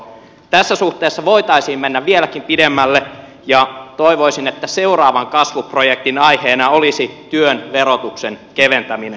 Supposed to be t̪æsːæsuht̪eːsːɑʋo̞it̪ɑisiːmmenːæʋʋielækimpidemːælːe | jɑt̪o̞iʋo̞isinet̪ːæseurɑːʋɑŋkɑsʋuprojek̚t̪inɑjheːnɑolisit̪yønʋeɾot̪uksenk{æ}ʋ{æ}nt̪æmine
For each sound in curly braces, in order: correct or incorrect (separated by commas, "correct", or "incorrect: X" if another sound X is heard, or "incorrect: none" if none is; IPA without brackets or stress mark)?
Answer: incorrect: e, incorrect: e